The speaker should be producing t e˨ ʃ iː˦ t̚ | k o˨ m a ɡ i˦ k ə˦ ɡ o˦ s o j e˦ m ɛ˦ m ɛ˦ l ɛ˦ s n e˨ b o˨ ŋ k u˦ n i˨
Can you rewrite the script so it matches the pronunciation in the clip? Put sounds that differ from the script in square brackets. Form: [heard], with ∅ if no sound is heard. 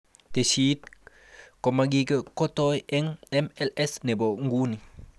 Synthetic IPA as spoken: t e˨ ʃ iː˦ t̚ | k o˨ m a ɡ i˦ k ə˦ [k] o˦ [t] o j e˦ [ŋ] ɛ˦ m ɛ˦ l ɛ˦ s n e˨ b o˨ ŋ [ɡ] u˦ n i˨